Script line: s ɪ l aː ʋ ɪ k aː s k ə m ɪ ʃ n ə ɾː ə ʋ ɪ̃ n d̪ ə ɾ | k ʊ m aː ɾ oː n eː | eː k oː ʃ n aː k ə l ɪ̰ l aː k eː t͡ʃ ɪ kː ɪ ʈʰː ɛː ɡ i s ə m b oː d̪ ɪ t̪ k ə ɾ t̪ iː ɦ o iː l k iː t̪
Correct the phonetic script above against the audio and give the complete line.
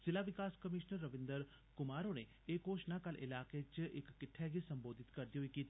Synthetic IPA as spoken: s ɪ l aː ʋ ɪ k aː s k ə m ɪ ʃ n ə ɾː ə ʋ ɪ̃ n d̪ ə ɾ | k ʊ m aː ɾ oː n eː | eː k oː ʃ n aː k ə l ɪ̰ l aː k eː t͡ʃ ɪ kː ɪ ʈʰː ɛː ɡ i s ə m b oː d̪ ɪ t̪ k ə ɾ d̪ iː ɦ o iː k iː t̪